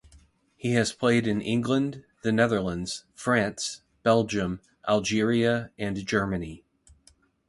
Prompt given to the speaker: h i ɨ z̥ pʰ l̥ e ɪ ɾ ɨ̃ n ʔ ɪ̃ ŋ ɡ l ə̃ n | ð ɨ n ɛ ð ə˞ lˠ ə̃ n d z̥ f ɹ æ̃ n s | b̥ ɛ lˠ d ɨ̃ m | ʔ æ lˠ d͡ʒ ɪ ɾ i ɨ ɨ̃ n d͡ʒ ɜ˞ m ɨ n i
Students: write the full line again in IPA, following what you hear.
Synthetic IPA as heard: h i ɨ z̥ pʰ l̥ e ɪ ɾ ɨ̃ n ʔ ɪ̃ ŋ ɡ l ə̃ n | ð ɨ n ɛ ð ə˞ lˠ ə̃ n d z̥ f ɹ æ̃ n s | b̥ ɛ lˠ d͡ʒ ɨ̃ m | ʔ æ lˠ d͡ʒ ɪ ɹ i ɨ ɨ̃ n d͡ʒ ɜ˞ m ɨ n i